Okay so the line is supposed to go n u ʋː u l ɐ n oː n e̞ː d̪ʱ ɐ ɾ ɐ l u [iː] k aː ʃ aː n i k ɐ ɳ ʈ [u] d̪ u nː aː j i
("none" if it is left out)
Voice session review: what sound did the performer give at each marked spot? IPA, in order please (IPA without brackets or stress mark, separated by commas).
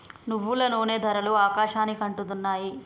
aː, u